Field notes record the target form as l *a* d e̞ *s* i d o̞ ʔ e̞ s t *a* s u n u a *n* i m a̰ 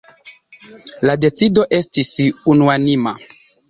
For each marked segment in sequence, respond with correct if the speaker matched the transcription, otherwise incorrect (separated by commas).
correct, incorrect, incorrect, correct